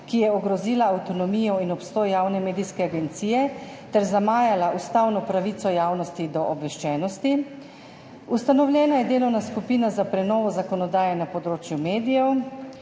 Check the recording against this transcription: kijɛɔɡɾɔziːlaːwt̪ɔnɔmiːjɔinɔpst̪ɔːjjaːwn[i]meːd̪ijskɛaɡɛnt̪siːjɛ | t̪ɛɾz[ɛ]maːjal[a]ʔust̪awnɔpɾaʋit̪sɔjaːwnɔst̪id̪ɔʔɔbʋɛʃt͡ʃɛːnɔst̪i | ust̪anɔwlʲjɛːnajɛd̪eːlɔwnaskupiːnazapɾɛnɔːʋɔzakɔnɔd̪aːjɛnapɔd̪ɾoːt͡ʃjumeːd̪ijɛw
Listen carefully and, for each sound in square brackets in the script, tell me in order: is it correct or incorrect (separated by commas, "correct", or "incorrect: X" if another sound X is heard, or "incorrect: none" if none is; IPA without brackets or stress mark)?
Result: incorrect: ɛ, incorrect: a, correct